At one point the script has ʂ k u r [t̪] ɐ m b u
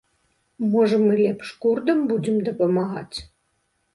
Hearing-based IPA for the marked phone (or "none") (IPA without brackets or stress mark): d̪